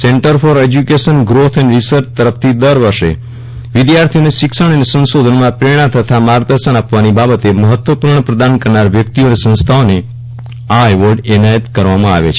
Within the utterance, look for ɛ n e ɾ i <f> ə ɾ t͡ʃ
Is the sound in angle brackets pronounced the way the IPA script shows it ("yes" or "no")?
no